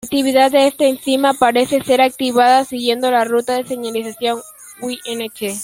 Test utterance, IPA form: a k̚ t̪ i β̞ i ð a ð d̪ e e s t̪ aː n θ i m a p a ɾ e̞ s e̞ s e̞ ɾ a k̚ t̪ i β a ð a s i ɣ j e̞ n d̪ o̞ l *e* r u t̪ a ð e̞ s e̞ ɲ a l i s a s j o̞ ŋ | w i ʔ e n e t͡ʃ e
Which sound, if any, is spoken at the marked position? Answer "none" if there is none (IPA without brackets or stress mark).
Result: a